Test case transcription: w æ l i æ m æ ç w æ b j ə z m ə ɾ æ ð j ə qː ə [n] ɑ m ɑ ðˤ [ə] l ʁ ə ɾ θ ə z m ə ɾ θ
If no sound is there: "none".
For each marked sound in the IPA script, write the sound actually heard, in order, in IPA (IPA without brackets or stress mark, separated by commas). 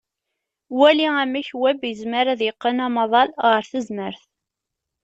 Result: n, ɑ